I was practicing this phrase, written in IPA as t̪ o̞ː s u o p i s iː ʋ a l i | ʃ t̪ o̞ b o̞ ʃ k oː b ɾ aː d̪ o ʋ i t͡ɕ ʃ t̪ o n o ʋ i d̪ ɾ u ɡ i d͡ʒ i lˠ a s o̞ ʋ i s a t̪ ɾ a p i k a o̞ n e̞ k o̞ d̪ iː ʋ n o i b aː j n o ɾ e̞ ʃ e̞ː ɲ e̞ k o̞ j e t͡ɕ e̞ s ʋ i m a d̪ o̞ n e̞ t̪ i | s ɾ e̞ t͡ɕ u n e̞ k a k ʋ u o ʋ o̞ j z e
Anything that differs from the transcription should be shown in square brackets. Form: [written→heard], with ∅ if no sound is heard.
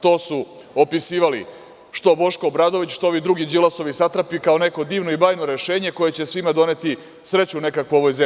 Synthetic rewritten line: t̪ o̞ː s u o p i s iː ʋ a l i | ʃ t̪ o̞ b o̞ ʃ k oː b ɾ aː d̪ o ʋ i t͡ɕ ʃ t̪ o [n→∅] o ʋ i d̪ ɾ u ɡ i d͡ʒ i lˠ a s o̞ ʋ i s a t̪ ɾ a p i k a o̞ n e̞ k o̞ d̪ iː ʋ n o i b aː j n o ɾ e̞ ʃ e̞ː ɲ e̞ k o̞ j e t͡ɕ e̞ s ʋ i m a d̪ o̞ n e̞ t̪ i | s ɾ e̞ t͡ɕ u n e̞ k a k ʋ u o ʋ o̞ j z e